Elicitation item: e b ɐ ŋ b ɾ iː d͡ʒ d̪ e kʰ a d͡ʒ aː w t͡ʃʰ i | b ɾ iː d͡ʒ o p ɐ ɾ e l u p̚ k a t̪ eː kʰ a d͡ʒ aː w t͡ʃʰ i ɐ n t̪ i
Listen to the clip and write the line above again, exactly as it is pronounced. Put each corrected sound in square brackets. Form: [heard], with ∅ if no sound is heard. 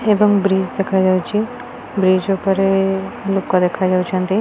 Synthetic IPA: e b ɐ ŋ b ɾ iː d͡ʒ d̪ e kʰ a d͡ʒ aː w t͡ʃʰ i | b ɾ iː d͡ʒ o p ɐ ɾ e l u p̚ k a [d̪] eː kʰ a d͡ʒ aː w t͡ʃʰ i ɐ n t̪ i